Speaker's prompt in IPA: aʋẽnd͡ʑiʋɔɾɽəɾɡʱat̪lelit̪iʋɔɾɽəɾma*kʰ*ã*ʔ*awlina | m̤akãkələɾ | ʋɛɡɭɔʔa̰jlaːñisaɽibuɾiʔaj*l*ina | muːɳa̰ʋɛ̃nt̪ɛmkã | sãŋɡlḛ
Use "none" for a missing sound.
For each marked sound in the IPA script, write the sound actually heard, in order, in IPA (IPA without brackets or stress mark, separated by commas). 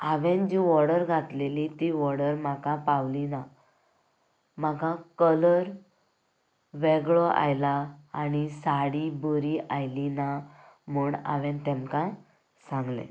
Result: k, p, l